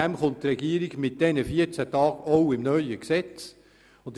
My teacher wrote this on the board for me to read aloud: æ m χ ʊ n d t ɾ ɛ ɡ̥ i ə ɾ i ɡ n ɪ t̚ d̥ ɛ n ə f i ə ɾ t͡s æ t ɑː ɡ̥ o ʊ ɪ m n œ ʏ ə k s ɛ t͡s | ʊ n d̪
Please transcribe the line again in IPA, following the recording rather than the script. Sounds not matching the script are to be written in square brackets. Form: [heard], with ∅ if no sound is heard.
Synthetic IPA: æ m χ ʊ n [t] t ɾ ɛ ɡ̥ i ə ɾ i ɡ [m] ɪ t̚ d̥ ɛ n ə f i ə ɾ t͡s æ t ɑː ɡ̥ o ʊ ɪ m n œ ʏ ə k s ɛ t͡s | ʊ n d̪